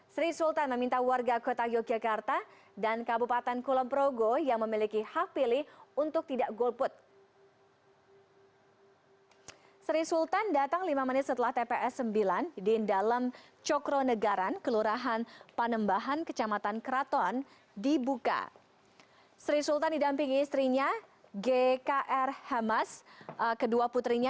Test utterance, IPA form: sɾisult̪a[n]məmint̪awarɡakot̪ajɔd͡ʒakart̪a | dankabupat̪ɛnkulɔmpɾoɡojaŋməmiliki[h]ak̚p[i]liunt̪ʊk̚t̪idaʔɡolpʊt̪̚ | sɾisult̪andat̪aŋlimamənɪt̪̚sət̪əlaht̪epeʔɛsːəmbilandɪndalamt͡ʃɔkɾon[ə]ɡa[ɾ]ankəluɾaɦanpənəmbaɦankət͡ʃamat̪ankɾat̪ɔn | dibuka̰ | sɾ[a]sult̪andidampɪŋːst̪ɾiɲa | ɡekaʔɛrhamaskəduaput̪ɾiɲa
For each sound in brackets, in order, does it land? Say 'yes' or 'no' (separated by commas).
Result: yes, yes, yes, yes, yes, no